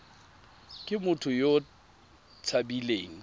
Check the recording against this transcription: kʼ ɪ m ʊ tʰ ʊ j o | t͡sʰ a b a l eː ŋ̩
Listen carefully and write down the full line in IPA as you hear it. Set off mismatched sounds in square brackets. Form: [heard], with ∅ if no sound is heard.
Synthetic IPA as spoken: kʼ ɪ m ʊ tʰ ʊ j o | t͡sʰ a b [i] l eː ŋ̩